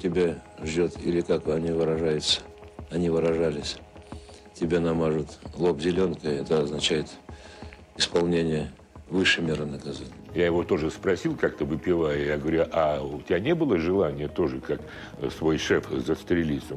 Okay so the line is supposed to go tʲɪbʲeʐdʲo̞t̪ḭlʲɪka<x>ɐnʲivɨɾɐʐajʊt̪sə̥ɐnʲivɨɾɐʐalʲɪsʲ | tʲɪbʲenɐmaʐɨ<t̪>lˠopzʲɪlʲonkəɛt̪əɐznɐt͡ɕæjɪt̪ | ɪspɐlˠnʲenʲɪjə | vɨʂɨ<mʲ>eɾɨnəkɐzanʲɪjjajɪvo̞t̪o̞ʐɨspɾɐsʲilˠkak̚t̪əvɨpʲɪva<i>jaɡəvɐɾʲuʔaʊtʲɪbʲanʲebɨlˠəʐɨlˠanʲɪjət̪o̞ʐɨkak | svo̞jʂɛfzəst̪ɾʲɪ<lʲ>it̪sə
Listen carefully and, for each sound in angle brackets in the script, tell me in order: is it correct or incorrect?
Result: incorrect, correct, correct, incorrect, correct

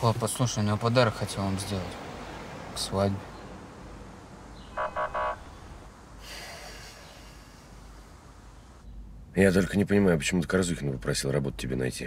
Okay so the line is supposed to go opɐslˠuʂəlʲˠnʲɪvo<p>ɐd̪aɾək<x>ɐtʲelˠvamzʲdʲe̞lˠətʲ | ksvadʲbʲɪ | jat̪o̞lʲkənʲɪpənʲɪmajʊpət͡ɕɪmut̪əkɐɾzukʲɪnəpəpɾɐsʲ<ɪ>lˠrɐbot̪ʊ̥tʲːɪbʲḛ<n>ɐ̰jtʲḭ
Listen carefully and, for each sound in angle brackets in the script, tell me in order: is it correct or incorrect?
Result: correct, correct, incorrect, correct

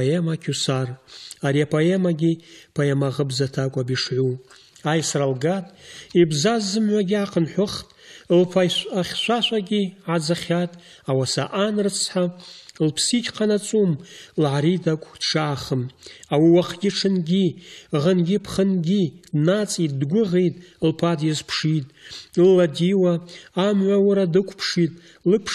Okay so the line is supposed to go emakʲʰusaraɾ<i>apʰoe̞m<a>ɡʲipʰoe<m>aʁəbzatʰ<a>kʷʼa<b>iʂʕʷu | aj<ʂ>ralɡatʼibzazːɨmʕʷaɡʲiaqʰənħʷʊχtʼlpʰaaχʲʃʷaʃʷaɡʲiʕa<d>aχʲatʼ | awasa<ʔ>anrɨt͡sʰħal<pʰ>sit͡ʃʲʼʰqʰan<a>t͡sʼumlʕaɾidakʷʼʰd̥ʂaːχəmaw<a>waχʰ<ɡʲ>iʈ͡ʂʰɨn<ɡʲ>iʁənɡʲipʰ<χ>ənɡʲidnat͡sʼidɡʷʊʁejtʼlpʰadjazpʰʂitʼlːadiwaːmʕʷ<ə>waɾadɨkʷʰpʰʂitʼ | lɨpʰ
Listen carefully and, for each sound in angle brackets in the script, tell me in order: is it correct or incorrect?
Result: correct, correct, correct, correct, correct, incorrect, incorrect, correct, correct, correct, incorrect, correct, correct, correct, incorrect

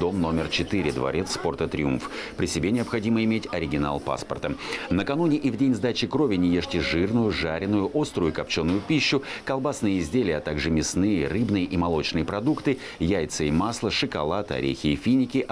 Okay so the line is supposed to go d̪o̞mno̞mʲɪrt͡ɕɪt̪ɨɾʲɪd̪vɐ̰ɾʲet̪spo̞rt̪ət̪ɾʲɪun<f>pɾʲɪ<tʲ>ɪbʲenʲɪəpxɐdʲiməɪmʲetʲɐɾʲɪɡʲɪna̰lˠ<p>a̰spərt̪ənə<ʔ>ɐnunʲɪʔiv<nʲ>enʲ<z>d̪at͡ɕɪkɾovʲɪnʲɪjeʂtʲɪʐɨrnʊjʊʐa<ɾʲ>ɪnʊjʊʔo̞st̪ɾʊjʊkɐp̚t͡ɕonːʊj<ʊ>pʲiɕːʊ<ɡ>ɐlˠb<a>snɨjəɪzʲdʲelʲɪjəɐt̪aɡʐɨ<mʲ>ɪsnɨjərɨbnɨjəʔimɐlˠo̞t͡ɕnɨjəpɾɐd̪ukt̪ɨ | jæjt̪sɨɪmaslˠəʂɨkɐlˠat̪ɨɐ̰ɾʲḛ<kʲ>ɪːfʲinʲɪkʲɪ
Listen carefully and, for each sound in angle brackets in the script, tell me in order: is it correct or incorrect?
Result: correct, incorrect, correct, incorrect, incorrect, correct, correct, correct, incorrect, correct, correct, incorrect

